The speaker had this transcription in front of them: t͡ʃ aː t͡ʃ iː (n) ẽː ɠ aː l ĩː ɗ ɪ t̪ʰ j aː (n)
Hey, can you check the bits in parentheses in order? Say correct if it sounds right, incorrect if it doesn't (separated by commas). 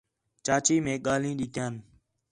incorrect, correct